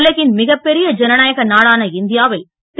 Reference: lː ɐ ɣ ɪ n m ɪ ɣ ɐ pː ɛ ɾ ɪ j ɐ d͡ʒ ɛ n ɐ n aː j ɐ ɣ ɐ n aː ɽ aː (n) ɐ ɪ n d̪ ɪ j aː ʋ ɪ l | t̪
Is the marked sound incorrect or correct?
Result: correct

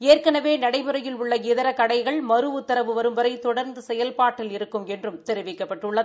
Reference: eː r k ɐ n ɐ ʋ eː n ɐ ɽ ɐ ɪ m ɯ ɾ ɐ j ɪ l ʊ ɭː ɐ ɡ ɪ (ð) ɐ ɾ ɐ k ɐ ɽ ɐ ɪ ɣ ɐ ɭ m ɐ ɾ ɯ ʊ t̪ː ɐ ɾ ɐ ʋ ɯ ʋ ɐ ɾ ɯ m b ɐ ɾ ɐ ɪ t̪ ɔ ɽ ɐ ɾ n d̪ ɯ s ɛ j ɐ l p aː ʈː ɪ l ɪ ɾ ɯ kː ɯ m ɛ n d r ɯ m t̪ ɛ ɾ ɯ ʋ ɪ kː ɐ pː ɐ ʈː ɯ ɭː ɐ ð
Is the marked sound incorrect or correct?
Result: correct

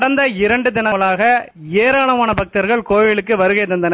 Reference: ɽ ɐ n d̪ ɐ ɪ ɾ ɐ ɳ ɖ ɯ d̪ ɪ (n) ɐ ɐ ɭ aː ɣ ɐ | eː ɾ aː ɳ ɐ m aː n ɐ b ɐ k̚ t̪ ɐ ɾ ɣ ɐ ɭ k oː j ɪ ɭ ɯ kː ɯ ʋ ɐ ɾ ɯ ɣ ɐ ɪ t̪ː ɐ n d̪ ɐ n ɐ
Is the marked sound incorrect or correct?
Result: correct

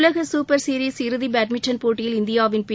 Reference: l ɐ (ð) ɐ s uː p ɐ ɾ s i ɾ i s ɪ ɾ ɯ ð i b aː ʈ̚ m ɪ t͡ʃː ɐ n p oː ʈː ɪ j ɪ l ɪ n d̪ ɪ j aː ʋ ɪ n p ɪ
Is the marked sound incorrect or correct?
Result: incorrect: ɣ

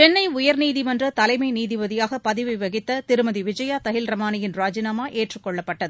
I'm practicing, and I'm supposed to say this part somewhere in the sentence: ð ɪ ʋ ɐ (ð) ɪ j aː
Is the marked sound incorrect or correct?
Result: correct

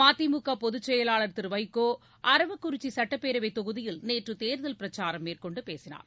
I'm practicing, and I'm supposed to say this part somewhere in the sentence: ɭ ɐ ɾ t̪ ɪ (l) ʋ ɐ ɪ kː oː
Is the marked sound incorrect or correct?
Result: incorrect: ɾ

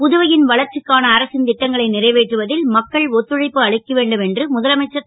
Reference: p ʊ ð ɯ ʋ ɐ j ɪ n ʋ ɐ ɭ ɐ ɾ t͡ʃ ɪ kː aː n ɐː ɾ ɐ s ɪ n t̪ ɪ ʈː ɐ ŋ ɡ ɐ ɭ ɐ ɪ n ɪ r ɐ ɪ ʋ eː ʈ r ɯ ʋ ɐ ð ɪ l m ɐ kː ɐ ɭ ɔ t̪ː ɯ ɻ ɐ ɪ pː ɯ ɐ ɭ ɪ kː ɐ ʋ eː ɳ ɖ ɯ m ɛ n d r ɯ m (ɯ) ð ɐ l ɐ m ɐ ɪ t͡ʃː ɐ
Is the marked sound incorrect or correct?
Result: incorrect: ʊ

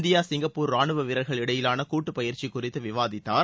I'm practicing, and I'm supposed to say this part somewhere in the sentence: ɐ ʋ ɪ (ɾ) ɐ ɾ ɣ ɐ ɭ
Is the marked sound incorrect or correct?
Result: correct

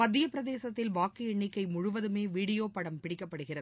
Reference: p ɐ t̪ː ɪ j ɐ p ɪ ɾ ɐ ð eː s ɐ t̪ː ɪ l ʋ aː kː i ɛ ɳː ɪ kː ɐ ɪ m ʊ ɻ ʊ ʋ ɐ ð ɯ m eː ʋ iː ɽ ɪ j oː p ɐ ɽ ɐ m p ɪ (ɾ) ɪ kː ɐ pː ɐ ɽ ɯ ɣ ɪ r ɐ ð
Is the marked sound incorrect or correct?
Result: incorrect: ɽ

